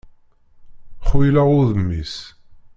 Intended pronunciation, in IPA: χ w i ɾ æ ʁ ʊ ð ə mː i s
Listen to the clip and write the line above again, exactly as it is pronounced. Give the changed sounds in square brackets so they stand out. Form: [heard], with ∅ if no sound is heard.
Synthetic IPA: χ w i [l] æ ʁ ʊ ð ə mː i s